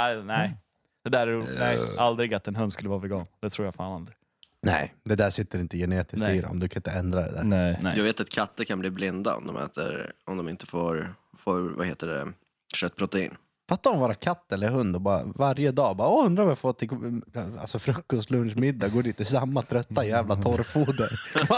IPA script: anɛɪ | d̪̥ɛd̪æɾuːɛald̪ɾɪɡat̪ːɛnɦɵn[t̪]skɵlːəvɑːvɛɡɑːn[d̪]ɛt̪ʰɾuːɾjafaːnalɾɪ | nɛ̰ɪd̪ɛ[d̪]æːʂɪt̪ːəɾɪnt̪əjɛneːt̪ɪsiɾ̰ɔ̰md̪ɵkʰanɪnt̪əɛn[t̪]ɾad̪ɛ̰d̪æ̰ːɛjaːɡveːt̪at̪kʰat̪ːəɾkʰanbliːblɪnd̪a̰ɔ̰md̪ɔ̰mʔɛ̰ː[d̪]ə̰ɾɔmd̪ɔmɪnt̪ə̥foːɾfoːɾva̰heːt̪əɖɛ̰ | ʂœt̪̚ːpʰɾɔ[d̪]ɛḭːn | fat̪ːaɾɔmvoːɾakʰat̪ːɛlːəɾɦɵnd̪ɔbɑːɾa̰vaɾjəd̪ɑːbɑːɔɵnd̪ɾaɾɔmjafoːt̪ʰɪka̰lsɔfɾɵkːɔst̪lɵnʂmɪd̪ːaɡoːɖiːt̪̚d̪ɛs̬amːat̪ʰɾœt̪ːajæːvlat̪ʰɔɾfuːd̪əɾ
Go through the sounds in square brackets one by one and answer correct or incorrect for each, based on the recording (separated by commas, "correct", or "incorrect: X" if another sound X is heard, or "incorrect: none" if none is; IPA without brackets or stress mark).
incorrect: d̪, correct, correct, incorrect: d̪, incorrect: t̪, incorrect: t̪